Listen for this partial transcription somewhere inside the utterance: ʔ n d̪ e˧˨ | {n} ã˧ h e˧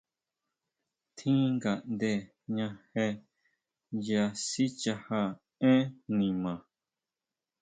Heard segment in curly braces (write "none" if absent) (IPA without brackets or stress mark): ɲ